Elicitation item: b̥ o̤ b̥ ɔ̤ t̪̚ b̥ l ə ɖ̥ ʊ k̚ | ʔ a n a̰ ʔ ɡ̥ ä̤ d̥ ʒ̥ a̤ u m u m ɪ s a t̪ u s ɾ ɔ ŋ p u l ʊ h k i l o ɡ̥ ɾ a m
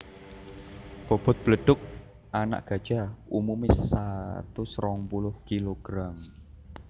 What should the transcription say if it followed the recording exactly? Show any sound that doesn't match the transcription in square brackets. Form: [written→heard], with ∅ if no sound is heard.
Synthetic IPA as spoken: b̥ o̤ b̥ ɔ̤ t̪̚ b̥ l ə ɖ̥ ʊ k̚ | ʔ a n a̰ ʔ ɡ̥ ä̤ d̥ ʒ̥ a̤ u m u m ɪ s a t̪ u s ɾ ɔ ŋ p u l ʊ h k i l o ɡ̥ ɾ a m

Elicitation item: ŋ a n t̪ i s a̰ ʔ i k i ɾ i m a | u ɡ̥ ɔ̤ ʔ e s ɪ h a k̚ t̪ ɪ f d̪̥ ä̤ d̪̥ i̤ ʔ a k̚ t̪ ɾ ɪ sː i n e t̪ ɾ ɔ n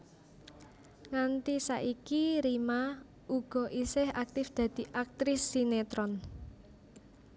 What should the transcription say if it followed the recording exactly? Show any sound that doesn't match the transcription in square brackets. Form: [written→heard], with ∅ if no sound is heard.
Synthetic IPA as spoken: ŋ a n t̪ i s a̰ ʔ i k i ɾ i m a | u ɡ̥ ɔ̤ ʔ [e→i] s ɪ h a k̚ t̪ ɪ f d̪̥ ä̤ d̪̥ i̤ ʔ a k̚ t̪ ɾ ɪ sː i n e t̪ ɾ ɔ n

